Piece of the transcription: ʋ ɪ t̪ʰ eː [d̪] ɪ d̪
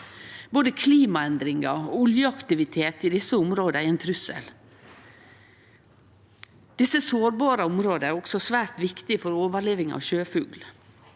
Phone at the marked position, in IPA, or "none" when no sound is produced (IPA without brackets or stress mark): t̪